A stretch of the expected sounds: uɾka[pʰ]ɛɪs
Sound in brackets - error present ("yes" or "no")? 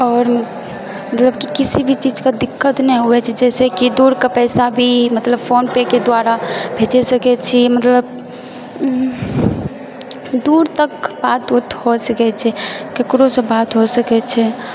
yes